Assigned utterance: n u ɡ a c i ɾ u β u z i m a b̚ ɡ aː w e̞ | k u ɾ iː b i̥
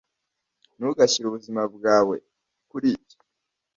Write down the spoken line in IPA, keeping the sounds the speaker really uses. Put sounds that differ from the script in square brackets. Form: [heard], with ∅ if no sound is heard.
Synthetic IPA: n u ɡ a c i ɾ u β u z i m a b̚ ɡ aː w e̞ | k u ɾ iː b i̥